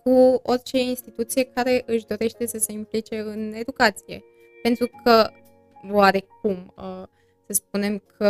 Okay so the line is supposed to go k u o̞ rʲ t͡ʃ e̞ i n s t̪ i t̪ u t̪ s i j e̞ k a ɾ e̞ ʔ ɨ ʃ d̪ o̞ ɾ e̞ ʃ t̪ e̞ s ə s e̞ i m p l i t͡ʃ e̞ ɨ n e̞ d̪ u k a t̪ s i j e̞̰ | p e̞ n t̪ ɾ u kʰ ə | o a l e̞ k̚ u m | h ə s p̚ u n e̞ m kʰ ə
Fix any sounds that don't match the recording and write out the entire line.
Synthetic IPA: k u o̞ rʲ t͡ʃ e̞ i n s t̪ i t̪ u t̪ s i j e̞ k a ɾ e̞ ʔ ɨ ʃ d̪ o̞ ɾ e̞ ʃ t̪ e̞ s ə s e̞ i m p l i t͡ʃ e̞ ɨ n e̞ d̪ u k a t̪ s i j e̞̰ | p e̞ n t̪ ɾ u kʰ ə | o a ɾ e̞ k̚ u m | s ə s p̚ u n e̞ m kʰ ə